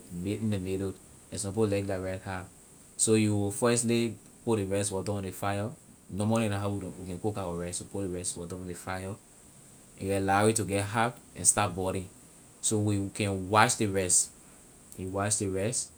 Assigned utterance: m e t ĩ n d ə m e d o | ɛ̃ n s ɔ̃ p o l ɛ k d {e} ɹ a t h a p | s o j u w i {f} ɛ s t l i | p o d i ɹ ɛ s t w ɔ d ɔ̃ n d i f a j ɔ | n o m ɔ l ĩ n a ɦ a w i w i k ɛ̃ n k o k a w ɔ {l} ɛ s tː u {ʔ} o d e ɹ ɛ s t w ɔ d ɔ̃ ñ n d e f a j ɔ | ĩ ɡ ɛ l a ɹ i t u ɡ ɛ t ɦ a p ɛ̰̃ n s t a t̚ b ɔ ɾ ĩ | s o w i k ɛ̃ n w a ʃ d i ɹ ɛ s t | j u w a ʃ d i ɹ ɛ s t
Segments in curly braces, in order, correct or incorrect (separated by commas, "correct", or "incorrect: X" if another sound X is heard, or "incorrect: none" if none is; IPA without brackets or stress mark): incorrect: a, correct, incorrect: ɹ, incorrect: p